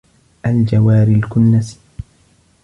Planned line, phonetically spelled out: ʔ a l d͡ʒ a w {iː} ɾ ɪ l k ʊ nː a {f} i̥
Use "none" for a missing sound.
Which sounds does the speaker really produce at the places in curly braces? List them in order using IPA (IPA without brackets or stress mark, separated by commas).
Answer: aː, s